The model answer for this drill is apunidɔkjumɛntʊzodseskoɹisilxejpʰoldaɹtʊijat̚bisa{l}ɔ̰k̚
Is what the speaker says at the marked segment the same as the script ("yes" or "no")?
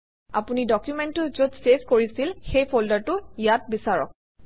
no